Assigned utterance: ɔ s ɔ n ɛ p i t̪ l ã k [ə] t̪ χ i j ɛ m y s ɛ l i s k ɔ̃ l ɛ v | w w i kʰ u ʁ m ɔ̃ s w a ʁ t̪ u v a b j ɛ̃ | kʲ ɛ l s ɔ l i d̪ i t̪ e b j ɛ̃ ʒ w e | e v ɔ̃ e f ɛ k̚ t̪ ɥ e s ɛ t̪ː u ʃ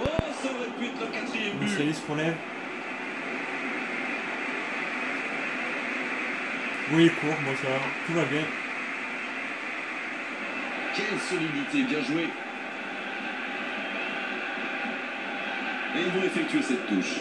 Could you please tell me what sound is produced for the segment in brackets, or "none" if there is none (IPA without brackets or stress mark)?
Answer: a